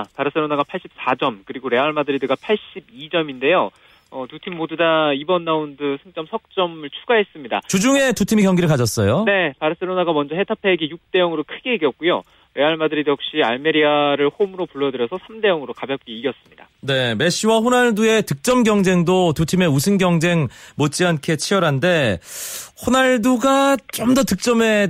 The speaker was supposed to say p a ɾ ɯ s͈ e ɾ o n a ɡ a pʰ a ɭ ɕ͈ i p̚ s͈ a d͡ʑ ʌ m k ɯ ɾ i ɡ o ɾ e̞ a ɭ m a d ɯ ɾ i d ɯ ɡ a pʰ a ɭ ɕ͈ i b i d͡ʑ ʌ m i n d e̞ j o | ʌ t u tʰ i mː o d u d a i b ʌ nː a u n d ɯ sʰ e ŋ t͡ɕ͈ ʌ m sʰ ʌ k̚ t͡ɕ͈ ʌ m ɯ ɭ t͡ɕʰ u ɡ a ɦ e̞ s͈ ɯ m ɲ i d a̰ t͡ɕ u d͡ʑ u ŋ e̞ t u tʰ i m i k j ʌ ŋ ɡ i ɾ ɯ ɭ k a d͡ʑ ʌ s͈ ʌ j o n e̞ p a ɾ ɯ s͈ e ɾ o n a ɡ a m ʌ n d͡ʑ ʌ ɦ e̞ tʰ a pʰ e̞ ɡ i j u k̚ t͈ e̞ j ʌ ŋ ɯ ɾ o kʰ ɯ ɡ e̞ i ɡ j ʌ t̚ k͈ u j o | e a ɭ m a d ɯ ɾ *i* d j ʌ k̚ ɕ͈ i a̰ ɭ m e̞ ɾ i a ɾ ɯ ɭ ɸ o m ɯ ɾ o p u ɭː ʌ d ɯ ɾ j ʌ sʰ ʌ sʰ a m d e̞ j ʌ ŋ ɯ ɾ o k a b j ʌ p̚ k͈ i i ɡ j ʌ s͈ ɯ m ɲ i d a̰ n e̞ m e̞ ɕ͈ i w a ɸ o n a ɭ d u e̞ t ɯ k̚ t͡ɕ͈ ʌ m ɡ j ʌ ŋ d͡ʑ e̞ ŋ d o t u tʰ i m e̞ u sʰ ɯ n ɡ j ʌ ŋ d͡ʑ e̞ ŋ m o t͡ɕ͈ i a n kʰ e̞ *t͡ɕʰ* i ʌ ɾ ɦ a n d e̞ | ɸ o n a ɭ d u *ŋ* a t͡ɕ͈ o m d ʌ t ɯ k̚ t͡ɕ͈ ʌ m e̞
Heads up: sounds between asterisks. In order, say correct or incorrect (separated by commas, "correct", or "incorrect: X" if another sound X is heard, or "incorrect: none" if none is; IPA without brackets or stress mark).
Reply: correct, correct, incorrect: ɡ